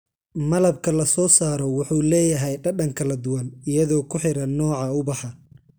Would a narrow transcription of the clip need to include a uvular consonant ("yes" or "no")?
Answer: no